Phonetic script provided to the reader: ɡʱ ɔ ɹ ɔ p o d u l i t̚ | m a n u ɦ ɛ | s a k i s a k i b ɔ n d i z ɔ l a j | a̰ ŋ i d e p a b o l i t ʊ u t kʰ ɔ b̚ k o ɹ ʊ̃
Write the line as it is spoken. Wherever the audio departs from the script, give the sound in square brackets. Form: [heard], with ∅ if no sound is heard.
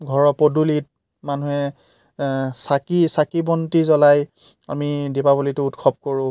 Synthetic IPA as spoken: ɡʱ ɔ ɹ ɔ p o d u l i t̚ | m a n u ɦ ɛ | s a k i s a k i b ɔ n [t] i z ɔ l a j | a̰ [m] i d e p a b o l i t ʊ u t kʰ ɔ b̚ k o ɹ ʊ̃